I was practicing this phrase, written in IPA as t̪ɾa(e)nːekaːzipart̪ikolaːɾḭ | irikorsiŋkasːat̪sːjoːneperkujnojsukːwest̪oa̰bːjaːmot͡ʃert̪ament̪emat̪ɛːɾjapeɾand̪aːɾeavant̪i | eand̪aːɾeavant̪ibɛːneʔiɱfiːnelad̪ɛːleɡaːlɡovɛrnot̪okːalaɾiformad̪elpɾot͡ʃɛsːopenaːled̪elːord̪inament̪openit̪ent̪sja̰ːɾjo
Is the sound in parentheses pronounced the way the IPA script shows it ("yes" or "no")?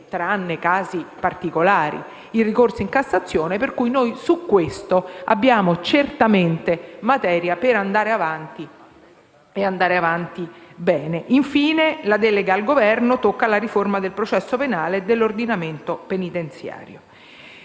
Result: no